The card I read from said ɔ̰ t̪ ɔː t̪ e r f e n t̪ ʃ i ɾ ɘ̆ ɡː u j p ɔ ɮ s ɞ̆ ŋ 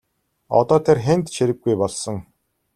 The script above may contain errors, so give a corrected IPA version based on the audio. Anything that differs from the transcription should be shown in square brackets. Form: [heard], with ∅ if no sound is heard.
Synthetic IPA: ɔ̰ t̪ ɔː [t̪ʰ] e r [x] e n t̪ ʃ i ɾ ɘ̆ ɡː u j p ɔ ɮ s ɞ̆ ŋ